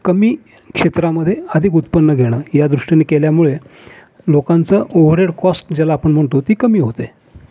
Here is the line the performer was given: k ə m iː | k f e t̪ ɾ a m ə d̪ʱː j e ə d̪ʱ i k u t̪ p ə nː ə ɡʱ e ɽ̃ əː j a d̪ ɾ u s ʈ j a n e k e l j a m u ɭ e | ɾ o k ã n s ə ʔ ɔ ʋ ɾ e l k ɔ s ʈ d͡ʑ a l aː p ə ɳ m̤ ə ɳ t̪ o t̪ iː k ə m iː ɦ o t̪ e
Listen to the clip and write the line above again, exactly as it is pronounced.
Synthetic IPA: k ə m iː | k ʂ e t̪ ɾ a m ə d̪ʱː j e ə d̪ʱ i k u t̪ p ə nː ə ɡʱ e ɽ̃ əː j a d̪ ɾ u ʂ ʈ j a n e k e l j a m u ɭ e | l o k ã n t͡s ə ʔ o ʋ ɾ e ɽ k ɔ s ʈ d͡ʑ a l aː p ə ɳ m̤ ə ɳ t̪ o t̪ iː k ə m iː ɦ o t̪ e